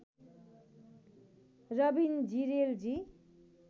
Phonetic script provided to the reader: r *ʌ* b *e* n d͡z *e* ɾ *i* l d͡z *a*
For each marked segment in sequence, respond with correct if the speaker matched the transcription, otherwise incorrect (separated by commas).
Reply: correct, incorrect, incorrect, incorrect, incorrect